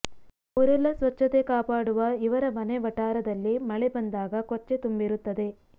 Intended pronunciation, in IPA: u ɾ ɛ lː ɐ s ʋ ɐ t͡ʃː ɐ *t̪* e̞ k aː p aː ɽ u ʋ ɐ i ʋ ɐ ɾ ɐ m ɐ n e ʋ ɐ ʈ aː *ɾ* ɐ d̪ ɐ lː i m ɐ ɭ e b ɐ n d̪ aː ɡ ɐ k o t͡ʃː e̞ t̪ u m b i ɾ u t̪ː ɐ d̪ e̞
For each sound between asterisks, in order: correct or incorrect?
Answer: correct, correct

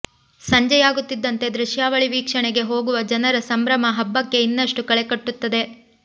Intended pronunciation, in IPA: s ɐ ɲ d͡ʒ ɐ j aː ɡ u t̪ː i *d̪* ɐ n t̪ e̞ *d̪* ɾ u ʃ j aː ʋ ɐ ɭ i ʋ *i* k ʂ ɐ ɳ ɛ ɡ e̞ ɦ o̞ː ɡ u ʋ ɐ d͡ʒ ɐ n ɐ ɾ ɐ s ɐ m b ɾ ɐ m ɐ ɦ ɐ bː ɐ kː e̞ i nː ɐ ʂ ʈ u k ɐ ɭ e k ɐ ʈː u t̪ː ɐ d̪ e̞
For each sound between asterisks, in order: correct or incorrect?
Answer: incorrect: d̪ː, correct, incorrect: iː

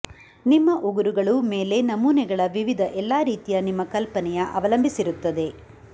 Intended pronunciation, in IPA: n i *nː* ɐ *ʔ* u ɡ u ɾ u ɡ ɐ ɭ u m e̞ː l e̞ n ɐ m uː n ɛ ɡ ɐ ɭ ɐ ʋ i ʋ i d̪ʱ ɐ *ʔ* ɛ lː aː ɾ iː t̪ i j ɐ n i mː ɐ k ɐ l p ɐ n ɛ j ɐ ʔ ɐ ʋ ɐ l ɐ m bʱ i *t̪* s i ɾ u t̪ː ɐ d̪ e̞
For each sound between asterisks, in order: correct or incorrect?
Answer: incorrect: mː, correct, correct, incorrect: none

